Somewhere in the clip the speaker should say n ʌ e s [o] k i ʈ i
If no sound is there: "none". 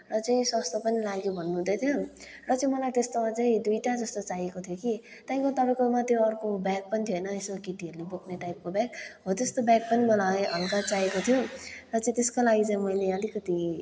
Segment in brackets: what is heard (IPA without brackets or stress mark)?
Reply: o